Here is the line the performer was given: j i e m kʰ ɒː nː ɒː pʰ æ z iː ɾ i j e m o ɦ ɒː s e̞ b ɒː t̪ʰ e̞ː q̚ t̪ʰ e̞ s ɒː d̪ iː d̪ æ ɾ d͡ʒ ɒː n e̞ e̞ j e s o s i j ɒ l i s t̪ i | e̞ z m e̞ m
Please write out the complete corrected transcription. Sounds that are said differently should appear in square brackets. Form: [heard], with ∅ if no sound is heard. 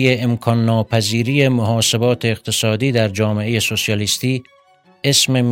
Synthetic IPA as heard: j [e] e m kʰ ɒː nː ɒː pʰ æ z iː ɾ i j e m o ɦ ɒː s e̞ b ɒː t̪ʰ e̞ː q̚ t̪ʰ e̞ s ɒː d̪ iː d̪ æ ɾ d͡ʒ ɒː [m] e̞ e̞ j e s o s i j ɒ l i s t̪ [iː] | e̞ [s] m e̞ m